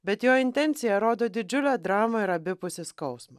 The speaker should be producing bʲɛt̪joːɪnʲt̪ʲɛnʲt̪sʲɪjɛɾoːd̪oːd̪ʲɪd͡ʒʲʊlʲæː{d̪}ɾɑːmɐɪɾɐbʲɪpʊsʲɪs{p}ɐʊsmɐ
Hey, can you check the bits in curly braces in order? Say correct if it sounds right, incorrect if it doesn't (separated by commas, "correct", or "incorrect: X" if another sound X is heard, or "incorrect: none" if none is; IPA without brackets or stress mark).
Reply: correct, incorrect: k